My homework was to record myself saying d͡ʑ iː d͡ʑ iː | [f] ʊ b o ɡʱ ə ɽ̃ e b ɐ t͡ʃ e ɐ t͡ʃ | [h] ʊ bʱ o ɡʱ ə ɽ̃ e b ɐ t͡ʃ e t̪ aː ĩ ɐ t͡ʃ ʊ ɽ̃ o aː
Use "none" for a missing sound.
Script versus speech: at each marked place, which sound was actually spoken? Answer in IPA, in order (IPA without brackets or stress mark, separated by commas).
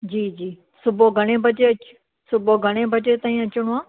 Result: s, s